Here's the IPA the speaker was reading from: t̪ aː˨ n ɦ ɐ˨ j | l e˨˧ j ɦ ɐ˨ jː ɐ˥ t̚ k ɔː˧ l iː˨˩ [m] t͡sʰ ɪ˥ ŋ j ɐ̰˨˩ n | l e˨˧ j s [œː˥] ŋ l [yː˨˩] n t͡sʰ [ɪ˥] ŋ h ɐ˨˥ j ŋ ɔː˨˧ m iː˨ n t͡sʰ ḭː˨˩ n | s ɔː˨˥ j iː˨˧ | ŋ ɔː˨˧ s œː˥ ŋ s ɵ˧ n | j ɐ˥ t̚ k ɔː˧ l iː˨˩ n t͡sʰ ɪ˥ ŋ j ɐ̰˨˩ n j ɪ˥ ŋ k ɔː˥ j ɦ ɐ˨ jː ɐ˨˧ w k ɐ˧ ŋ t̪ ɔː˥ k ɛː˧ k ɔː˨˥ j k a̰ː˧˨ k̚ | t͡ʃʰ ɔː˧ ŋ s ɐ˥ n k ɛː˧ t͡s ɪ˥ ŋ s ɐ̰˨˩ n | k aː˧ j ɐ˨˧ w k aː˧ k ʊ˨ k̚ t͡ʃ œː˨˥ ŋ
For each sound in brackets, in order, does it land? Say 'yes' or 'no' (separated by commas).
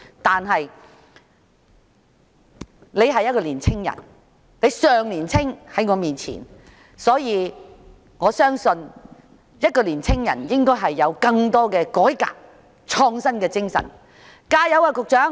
no, no, no, yes